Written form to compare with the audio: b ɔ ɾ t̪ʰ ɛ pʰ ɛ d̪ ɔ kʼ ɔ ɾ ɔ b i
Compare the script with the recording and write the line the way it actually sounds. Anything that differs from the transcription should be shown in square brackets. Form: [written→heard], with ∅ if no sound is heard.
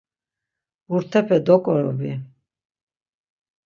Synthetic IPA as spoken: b [ɔ→u] ɾ t̪ʰ ɛ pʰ ɛ d̪ ɔ kʼ ɔ ɾ ɔ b i